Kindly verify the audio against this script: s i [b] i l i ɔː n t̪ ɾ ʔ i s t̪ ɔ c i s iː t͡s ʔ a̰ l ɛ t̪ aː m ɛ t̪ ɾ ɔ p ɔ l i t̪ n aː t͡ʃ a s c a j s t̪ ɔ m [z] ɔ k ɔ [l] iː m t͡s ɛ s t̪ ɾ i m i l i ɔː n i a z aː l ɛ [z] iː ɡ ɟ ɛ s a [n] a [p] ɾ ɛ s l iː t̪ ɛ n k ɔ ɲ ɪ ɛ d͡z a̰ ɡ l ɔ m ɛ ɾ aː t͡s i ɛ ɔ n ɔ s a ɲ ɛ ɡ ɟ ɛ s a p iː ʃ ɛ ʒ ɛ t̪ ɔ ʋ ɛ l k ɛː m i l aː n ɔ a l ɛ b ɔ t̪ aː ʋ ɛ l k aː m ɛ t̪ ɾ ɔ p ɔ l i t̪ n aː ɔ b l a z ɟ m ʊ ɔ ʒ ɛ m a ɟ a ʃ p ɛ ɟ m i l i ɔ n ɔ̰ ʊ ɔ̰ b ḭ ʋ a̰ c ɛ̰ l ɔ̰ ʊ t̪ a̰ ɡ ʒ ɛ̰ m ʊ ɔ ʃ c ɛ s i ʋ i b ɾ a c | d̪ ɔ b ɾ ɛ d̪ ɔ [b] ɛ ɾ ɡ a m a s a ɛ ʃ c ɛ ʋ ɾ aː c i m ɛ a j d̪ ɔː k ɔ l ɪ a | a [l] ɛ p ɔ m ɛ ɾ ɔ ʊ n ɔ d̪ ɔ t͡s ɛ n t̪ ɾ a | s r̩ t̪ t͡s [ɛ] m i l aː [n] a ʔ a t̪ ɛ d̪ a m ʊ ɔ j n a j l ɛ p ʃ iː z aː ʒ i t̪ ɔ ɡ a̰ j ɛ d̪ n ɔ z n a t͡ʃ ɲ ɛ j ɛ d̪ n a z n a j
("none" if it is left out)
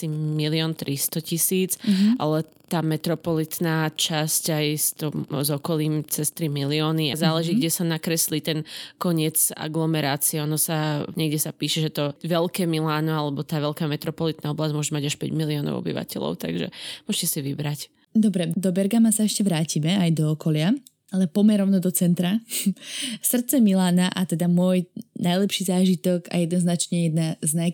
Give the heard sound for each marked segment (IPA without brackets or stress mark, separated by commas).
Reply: m, z, l, ʒ, n, k, b, l, ɛ, n